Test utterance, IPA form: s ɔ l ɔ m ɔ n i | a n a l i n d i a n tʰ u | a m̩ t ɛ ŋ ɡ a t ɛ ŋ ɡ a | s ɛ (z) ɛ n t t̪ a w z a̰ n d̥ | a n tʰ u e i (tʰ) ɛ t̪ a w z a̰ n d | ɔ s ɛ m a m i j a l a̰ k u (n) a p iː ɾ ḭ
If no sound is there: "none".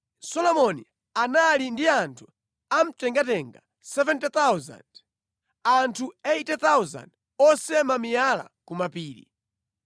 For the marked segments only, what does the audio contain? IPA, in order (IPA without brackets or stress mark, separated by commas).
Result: v, t, m